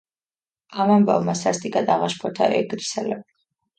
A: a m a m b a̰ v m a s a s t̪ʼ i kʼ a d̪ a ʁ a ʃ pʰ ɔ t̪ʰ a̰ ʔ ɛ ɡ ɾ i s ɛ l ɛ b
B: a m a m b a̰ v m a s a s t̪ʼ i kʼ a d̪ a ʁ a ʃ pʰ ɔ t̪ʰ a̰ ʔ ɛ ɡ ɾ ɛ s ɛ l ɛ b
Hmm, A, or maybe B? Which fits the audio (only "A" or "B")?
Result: A